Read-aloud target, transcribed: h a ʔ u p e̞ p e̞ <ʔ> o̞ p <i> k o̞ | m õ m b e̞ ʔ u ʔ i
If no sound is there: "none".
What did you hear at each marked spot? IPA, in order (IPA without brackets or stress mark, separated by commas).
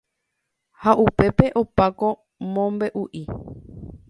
ʔ, a